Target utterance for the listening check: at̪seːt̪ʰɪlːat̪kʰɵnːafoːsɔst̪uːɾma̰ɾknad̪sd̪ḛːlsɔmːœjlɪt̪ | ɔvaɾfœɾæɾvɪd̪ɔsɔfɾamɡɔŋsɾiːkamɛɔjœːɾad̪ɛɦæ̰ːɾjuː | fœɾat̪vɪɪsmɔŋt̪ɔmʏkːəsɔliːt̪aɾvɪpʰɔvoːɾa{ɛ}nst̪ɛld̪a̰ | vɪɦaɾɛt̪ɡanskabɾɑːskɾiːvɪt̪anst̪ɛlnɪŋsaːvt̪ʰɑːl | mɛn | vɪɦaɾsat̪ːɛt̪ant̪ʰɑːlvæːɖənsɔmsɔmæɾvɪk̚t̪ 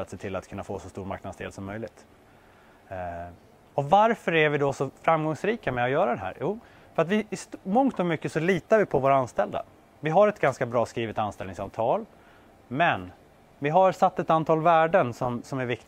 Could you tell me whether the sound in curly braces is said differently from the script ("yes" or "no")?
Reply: yes